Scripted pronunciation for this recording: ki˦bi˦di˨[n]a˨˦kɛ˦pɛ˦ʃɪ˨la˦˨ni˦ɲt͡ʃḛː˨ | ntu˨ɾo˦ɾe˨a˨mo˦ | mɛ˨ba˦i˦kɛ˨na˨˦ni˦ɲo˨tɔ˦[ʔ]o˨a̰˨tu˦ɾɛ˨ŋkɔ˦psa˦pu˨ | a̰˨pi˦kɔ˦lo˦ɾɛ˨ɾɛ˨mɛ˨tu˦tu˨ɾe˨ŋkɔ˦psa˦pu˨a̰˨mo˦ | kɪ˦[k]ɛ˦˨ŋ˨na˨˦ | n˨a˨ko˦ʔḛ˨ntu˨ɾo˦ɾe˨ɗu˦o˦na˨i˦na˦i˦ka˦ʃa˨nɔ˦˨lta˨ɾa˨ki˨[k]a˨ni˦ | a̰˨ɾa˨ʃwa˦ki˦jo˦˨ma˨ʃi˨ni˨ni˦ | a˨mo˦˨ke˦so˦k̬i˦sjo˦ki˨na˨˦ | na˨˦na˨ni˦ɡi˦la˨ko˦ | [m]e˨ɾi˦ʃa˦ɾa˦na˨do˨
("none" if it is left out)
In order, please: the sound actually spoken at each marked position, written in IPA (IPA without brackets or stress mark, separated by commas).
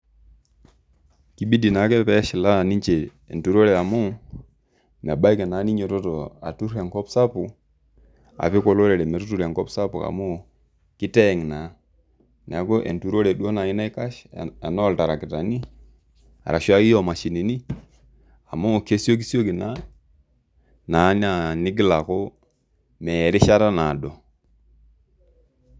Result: n, t, t, t, m